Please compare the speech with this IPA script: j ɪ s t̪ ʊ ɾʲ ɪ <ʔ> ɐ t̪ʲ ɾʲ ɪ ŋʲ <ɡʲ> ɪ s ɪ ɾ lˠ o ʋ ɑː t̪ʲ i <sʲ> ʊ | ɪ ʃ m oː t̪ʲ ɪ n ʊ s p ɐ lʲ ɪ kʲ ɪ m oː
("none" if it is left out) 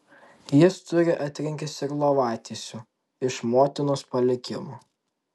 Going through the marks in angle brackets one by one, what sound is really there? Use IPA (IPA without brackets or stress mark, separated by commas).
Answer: ʔ, kʲ, sʲ